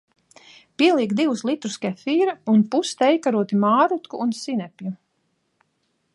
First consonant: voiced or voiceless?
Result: voiceless